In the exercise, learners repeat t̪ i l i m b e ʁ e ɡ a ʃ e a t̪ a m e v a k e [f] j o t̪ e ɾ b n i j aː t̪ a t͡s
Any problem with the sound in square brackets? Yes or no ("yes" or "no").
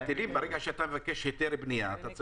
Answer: yes